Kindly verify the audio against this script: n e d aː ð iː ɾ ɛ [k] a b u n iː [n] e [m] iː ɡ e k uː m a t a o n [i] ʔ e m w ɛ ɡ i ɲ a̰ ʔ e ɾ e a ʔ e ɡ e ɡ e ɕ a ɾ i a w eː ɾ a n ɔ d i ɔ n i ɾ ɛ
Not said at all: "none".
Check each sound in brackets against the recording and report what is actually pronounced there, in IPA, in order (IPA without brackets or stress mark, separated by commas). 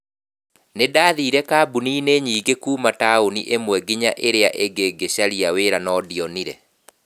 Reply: k, n, ɲ, i